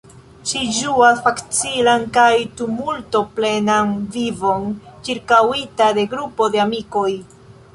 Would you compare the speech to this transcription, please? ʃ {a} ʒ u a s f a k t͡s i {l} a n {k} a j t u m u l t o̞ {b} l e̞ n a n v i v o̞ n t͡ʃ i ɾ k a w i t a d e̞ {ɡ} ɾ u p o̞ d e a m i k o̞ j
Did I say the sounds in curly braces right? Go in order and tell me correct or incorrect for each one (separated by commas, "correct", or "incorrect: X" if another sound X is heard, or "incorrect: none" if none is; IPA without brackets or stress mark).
incorrect: i, correct, correct, incorrect: p, correct